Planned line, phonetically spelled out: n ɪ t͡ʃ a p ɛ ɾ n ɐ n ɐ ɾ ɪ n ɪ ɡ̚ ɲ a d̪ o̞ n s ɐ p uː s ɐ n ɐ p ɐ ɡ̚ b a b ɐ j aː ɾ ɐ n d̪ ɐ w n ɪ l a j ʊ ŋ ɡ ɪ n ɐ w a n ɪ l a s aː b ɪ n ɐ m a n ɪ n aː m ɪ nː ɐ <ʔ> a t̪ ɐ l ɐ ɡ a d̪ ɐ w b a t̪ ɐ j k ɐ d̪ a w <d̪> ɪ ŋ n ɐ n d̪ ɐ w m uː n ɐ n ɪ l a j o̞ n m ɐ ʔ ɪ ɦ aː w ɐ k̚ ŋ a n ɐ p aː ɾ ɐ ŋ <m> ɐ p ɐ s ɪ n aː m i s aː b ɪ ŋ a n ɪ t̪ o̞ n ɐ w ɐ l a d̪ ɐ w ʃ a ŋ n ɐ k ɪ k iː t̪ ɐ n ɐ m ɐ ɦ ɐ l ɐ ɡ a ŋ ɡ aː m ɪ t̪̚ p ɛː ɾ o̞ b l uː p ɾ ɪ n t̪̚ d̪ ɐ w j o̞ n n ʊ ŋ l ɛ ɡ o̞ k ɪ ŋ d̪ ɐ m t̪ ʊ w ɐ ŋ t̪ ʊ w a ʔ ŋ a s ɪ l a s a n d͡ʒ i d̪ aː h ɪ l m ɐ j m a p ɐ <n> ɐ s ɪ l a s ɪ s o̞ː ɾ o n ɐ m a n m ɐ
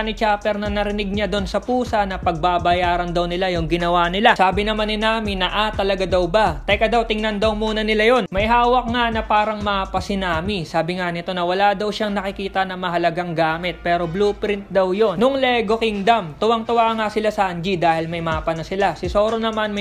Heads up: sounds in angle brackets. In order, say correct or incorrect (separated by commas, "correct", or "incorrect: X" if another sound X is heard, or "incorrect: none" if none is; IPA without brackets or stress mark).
correct, incorrect: t̪, correct, correct